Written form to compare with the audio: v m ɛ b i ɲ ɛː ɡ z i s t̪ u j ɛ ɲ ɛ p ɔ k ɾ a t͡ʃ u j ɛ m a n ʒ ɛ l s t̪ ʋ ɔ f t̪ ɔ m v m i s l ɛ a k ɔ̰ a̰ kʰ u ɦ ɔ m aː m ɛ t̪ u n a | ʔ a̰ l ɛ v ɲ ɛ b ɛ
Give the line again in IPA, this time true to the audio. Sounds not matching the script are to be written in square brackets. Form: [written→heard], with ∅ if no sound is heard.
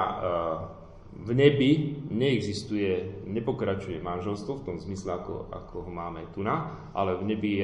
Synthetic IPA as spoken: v [m→ɲ] ɛ b i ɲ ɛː ɡ z i s t̪ u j ɛ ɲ ɛ p ɔ k ɾ a t͡ʃ u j ɛ m a n ʒ ɛ l s t̪ ʋ ɔ f t̪ ɔ m [v→z] m i s l ɛ a k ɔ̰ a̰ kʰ [u→ɔ] ɦ ɔ m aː m ɛ t̪ u n a | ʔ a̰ l ɛ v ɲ ɛ b [ɛ→i]